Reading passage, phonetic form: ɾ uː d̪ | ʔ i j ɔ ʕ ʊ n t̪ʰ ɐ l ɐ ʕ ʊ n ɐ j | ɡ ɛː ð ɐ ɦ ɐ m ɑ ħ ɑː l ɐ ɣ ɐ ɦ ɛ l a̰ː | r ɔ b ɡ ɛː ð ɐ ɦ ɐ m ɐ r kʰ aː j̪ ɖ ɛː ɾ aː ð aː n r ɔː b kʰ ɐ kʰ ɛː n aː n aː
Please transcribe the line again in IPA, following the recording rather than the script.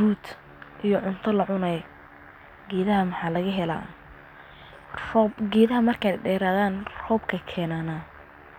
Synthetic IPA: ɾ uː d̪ | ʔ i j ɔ ʕ ʊ n t̪ʰ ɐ l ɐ ʕ ʊ n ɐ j | ɡ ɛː ð ɐ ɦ ɐ m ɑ ħ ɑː l ɐ ɣ ɐ ɦ ɛ l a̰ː | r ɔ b ɡ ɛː ð ɐ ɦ ɐ m ɐ r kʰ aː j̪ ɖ ɛː ɾ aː ð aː n r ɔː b kʰ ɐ kʰ ɛː n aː n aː

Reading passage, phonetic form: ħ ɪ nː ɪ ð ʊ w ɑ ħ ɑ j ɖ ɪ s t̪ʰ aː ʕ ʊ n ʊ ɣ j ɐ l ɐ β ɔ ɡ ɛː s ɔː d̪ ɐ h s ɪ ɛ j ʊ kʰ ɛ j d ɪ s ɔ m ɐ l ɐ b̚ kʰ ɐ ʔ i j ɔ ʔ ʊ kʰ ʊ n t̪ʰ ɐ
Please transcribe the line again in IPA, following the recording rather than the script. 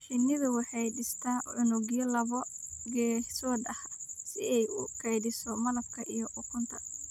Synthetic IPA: ħ ɪ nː ɪ ð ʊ w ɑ ħ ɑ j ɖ ɪ s t̪ʰ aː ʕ ʊ n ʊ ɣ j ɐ l ɐ β ɔ ɡ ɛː s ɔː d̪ ɐ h s ɪ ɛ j ʊ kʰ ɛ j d ɪ s ɔ m ɐ l ɐ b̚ kʰ ɐ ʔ i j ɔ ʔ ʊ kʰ ʊ n t̪ʰ ɐ

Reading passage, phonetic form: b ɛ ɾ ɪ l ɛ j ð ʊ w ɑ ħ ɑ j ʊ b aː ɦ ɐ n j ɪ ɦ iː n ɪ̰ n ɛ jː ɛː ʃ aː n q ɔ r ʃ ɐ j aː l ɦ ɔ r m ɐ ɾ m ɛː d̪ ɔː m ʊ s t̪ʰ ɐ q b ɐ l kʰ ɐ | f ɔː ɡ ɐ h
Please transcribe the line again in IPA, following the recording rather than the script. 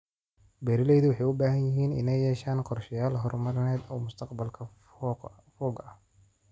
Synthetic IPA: b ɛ ɾ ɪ l ɛ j ð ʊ w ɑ ħ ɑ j ʊ b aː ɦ ɐ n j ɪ ɦ iː n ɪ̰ n ɛ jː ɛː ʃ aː n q ɔ r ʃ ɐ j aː l ɦ ɔ r m ɐ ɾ n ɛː d̪ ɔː m ʊ s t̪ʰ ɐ q b ɐ l kʰ ɐ | f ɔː ɡ ɐ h

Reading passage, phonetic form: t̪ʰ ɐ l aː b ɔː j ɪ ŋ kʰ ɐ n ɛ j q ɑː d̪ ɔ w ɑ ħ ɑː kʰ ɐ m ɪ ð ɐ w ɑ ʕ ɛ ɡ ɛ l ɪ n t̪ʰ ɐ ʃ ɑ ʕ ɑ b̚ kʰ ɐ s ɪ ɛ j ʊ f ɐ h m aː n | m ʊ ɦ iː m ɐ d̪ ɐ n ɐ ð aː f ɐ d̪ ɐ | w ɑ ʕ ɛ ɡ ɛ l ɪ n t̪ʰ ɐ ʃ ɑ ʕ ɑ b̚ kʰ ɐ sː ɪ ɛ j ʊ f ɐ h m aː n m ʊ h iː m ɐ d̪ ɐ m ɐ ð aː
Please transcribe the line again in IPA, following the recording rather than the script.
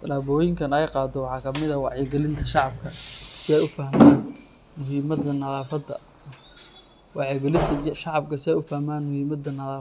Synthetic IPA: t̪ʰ ɐ l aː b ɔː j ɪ ŋ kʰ ɐ n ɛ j q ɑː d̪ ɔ w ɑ ħ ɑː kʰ ɐ m ɪ ð ɐ w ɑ ʕ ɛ ɡ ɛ l ɪ n t̪ʰ ɐ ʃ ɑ ʕ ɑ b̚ kʰ ɐ s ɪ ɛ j ʊ f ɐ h m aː n | m ʊ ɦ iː m ɐ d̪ ɐ n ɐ ð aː f ɐ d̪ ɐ | w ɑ ʕ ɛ ɡ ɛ l ɪ n t̪ʰ ɐ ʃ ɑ ʕ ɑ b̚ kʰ ɐ s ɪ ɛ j ʊ f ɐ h m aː n m ʊ h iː m ɐ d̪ ɐ n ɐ ð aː

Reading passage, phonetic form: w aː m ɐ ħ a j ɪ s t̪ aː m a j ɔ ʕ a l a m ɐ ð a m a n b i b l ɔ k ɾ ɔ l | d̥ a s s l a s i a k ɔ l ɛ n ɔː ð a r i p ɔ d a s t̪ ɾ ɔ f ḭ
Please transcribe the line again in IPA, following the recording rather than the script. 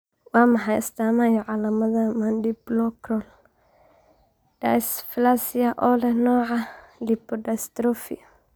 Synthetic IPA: w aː m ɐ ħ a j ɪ s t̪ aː m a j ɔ ʕ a l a m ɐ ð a m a n d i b l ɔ k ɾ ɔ l | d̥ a s f l a s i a ʔ ɔ l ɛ n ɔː ʕ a l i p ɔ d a s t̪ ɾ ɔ f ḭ

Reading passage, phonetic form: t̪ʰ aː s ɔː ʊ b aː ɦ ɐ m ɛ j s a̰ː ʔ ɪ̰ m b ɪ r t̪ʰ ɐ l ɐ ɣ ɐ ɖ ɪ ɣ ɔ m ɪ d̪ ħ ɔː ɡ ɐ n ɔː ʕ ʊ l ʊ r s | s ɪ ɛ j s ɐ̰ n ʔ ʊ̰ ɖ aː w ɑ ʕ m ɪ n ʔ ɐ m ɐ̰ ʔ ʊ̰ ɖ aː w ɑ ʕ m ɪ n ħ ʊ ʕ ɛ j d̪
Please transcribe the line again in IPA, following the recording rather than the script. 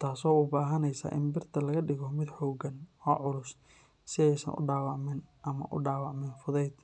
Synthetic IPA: t̪ʰ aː s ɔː ʊ b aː ɦ ɐ n ɛ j s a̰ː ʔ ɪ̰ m b ɪ r t̪ʰ ɐ l ɐ ɣ ɐ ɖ ɪ ɣ ɔ m ɪ d̪ ħ ɔː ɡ ɐ n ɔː ʕ ʊ l ʊ s | s ɪ ɛ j s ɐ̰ n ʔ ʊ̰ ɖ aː w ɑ ʕ m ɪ n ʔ ɐ m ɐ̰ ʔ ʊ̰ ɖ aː w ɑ ʕ m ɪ n f ʊ ð ɛ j d̪

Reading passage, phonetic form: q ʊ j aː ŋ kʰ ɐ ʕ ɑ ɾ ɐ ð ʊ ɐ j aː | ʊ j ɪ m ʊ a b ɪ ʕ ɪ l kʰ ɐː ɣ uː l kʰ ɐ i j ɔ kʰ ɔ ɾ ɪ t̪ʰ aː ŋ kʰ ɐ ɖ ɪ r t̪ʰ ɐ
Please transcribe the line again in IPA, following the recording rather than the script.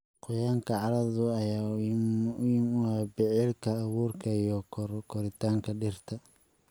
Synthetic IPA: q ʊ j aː ŋ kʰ ɐ ʕ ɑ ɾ ɐ ð ʊ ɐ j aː | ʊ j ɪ m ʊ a b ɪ ʕ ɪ l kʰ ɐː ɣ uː r kʰ ɐ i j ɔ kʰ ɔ ɾ ɪ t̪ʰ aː ŋ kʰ ɐ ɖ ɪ r t̪ʰ ɐ

